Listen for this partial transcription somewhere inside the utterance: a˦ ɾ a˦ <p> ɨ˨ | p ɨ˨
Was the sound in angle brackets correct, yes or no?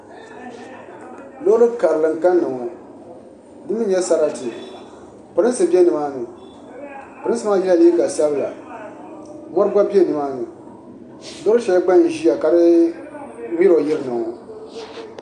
no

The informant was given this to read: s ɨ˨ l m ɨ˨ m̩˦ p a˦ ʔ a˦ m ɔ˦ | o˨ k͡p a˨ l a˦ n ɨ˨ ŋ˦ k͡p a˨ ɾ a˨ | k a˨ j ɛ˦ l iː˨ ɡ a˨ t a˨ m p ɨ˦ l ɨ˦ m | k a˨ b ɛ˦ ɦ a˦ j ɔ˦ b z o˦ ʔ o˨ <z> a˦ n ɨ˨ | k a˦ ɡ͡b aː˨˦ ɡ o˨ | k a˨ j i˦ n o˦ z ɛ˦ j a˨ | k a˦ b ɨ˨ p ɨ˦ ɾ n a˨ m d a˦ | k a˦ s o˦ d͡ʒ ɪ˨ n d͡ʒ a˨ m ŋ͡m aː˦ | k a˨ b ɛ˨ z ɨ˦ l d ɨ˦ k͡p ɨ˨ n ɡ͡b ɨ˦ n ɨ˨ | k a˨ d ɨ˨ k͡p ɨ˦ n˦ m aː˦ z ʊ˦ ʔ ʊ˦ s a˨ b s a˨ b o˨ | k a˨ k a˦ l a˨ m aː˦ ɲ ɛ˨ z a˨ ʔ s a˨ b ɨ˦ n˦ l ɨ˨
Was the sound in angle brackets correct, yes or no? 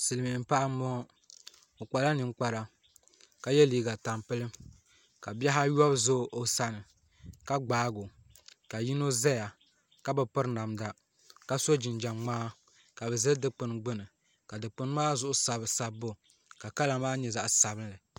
no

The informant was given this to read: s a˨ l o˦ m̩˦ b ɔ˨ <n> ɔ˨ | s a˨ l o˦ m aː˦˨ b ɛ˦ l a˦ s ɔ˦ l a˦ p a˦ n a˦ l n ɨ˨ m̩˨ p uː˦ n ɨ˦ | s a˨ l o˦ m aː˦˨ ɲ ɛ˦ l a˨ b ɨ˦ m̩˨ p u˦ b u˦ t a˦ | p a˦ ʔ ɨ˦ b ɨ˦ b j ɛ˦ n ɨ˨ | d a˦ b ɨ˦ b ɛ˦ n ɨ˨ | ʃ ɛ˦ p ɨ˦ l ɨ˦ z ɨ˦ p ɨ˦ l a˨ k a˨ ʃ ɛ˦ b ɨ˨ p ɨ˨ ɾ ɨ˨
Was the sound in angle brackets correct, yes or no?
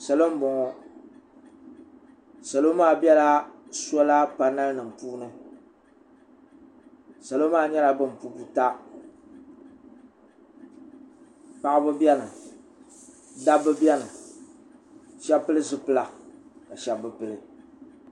no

